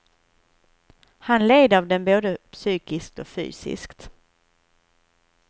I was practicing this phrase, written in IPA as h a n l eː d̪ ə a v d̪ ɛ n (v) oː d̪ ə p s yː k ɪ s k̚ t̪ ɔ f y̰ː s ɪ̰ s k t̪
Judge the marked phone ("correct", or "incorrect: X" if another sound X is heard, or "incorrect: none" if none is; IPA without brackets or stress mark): incorrect: b